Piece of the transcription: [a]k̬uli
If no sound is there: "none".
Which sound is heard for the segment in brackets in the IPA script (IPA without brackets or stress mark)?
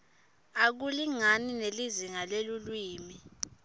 a